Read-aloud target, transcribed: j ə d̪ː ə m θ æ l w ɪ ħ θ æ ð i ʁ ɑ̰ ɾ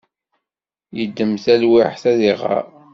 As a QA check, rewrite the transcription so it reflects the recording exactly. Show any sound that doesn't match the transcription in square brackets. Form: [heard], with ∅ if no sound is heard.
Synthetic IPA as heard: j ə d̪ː ə m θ æ l w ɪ ħ θ æ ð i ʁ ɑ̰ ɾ